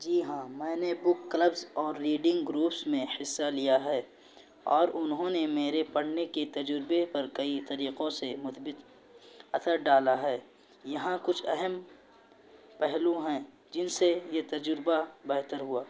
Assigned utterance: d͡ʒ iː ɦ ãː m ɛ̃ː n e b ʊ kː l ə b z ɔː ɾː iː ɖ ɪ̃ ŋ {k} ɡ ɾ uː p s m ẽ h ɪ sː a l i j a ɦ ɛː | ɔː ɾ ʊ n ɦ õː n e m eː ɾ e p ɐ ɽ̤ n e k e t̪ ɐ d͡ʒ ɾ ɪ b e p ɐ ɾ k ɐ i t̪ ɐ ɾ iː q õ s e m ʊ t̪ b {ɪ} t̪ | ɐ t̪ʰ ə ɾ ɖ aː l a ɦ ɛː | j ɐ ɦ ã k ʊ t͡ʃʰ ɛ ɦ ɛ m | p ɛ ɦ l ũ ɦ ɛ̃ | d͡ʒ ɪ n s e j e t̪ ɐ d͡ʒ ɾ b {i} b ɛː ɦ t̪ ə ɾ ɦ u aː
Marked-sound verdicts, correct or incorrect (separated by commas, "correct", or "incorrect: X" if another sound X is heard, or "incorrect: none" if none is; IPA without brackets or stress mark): incorrect: ɡ, correct, incorrect: a